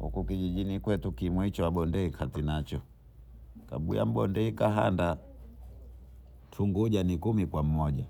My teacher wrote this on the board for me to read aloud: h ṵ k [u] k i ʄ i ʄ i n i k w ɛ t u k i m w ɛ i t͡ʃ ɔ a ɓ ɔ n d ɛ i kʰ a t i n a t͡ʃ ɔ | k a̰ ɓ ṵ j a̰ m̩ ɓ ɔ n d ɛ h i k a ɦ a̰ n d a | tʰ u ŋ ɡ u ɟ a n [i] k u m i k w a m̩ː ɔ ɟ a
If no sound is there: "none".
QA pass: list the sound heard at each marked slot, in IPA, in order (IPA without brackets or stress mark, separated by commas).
u, i